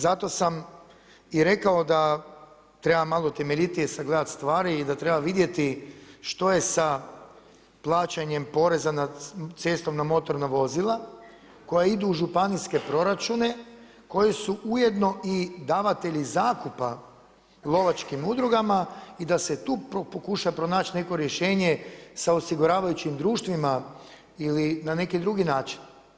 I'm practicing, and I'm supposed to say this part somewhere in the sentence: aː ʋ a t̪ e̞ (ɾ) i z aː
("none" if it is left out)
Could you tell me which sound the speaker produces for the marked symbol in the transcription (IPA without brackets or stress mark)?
ʎ